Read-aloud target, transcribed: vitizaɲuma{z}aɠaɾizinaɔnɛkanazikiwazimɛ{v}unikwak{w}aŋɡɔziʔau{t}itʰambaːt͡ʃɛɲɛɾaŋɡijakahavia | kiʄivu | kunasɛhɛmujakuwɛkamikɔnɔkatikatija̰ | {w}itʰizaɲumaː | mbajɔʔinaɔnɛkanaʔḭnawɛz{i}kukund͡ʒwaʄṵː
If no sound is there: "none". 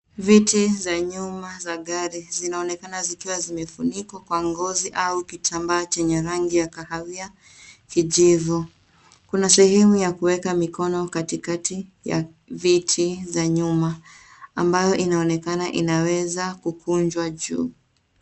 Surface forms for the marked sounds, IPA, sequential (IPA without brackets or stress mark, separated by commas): z, f, w, k, v, a